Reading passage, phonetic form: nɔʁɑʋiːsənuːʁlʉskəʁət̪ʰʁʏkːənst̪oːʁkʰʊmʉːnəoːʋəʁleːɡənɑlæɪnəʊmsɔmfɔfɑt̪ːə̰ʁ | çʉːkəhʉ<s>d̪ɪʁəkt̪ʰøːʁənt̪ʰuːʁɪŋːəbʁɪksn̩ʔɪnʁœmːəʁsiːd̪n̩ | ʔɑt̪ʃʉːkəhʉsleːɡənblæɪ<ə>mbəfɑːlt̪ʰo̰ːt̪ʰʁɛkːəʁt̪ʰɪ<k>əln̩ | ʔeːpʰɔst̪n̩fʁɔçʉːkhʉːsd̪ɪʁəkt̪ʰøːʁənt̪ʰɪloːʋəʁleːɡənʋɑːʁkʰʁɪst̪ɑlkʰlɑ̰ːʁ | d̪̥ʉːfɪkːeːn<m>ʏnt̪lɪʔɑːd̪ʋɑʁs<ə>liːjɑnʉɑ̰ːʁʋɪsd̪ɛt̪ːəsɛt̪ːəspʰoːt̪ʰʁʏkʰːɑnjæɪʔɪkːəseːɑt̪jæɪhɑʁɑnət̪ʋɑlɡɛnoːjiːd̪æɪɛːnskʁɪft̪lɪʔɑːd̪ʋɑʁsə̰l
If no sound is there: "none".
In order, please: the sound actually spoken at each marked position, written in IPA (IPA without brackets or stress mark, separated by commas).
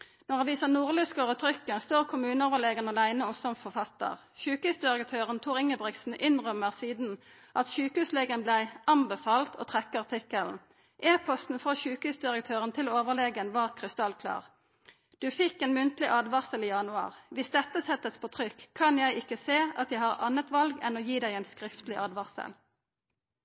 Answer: s, ɑ, k, m, ə